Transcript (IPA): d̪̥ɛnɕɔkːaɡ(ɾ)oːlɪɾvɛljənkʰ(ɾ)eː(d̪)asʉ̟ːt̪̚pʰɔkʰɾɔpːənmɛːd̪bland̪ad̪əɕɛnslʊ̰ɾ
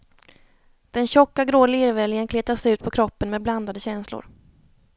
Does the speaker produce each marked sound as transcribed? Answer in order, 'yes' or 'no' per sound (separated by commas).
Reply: yes, no, no